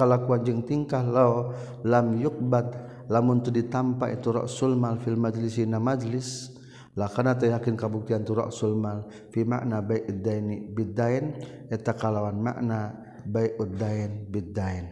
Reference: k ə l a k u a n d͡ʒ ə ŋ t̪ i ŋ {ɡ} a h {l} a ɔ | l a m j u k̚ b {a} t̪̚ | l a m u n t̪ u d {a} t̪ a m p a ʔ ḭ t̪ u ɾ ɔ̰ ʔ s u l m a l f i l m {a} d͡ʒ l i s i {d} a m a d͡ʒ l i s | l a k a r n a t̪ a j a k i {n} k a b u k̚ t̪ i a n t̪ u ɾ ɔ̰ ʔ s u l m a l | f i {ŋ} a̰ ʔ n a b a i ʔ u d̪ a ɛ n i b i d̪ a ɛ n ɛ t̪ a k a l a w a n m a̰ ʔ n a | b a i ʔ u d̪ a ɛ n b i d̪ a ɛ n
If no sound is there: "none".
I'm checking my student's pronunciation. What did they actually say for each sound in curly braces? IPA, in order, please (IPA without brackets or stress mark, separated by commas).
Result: k, l, a, i, a, n, n, m